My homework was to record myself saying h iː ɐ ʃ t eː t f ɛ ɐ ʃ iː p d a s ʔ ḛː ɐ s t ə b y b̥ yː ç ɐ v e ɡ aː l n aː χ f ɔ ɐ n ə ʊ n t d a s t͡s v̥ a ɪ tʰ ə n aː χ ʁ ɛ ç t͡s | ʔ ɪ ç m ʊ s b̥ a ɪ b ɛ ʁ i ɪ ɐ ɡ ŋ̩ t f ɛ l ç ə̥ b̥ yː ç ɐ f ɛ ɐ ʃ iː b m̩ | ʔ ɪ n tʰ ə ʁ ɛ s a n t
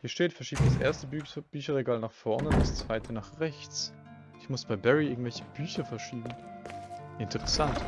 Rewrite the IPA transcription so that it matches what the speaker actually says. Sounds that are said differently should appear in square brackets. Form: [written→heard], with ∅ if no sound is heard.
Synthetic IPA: h iː ɐ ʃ t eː t f ɛ ɐ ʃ iː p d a s ʔ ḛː ɐ s t ə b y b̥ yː ç ɐ [v→ʁ] e ɡ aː l n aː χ f ɔ ɐ n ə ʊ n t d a s t͡s v̥ a ɪ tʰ ə n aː χ ʁ ɛ ç t͡s | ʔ ɪ ç m ʊ s b̥ a ɪ b ɛ ʁ i ɪ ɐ ɡ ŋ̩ t [f→v] ɛ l ç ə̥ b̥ yː ç ɐ f ɛ ɐ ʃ iː b m̩ | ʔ ɪ n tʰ ə ʁ ɛ s a n t

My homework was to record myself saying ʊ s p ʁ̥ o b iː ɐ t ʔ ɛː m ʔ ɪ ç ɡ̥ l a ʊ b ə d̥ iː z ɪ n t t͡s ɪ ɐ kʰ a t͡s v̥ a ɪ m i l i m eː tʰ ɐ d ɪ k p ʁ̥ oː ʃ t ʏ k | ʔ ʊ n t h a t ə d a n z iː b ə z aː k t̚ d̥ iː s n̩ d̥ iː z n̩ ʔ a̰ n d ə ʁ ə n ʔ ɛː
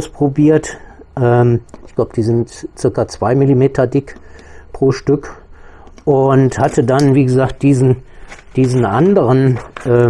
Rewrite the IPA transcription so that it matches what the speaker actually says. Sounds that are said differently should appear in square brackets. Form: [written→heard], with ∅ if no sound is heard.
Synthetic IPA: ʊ s p ʁ̥ o b iː ɐ t ʔ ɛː m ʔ ɪ ç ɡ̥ l a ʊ b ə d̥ iː z ɪ n t t͡s ɪ ɐ [kʰ→k] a t͡s v̥ a ɪ m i l i m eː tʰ ɐ d ɪ k p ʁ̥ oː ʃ t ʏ k | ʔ ʊ n t h a t ə d a n [z→v] iː [b→ɡ] ə z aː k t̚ d̥ iː [s→z] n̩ d̥ iː z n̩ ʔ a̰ n d ə ʁ ə n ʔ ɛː

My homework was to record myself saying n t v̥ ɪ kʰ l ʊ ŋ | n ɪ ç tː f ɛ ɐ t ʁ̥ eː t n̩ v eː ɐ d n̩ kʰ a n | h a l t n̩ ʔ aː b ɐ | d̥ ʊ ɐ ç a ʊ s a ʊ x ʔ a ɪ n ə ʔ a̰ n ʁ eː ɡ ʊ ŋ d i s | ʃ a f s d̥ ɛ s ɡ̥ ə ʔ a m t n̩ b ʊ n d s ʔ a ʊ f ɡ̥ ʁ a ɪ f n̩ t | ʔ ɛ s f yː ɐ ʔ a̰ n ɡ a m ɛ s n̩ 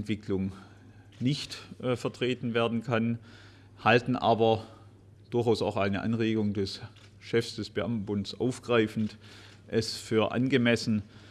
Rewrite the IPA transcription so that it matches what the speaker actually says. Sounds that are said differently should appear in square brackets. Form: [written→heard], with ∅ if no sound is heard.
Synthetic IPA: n t v̥ ɪ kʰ l ʊ ŋ | n ɪ ç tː f ɛ ɐ t ʁ̥ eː t n̩ v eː ɐ d n̩ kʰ a n | h a l t n̩ ʔ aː b ɐ | d̥ ʊ ɐ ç a ʊ s a ʊ x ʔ a ɪ n ə ʔ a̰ n ʁ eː ɡ ʊ ŋ d [i→ɛ] s | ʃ [a→ɛ] f s d̥ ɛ s [ɡ̥→b̥] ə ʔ a m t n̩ b ʊ n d s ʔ a ʊ f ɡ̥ ʁ a ɪ f n̩ t | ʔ ɛ s f yː ɐ ʔ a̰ n ɡ [a→ə] m ɛ s n̩

